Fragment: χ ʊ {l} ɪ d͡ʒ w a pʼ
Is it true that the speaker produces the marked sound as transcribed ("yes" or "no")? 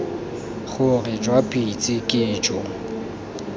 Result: no